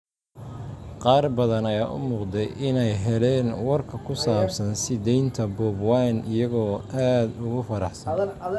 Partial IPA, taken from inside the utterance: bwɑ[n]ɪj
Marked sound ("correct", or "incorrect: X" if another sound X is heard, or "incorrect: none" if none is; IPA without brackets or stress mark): correct